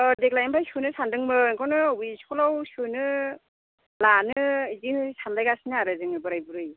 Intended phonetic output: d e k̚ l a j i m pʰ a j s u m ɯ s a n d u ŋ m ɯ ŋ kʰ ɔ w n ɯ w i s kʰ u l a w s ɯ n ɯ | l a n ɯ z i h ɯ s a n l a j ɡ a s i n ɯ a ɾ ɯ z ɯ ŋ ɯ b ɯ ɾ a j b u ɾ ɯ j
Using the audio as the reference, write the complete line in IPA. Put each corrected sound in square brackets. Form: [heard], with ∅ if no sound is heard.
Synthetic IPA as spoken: d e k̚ l a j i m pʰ a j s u [n] ɯ s a n d [ɯ] ŋ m ɯ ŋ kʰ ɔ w n ɯ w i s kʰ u l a w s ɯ n ɯ | l a n ɯ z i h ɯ s a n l a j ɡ a s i n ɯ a ɾ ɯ z ɯ ŋ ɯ b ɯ ɾ a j b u ɾ ɯ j